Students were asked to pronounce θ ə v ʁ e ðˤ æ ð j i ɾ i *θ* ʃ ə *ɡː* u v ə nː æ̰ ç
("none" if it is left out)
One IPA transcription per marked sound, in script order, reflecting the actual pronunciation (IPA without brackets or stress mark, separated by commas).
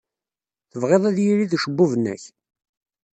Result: ð, bː